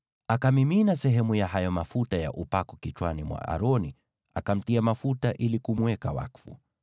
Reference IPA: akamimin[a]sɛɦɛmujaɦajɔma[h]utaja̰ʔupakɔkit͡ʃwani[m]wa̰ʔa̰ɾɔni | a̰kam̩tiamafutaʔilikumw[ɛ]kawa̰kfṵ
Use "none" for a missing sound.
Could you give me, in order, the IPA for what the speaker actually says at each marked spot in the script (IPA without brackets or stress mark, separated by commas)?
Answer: a, f, m, ɛ